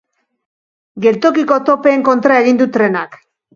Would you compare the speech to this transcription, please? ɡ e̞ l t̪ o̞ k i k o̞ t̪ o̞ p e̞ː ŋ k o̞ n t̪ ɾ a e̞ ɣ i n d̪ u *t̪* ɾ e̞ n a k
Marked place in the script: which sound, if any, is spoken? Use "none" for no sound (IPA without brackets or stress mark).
t̪